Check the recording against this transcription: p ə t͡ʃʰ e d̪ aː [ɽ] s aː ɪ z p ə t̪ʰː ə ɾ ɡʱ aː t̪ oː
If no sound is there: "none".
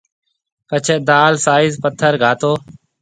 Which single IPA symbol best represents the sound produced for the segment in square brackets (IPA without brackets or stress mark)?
l